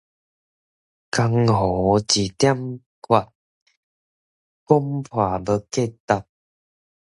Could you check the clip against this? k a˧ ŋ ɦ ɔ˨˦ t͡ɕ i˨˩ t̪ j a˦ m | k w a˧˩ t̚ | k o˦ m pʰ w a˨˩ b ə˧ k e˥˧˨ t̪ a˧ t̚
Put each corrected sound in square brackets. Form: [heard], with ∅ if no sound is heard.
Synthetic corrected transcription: k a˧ ŋ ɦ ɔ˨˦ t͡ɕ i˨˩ t̪ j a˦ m | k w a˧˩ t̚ | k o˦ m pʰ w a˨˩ b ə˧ k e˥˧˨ t̪ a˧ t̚